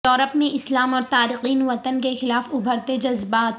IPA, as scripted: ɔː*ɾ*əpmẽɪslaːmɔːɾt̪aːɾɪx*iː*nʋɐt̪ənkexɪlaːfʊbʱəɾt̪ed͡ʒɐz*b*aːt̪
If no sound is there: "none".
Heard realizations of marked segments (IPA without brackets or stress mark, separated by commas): ɾ, iː, b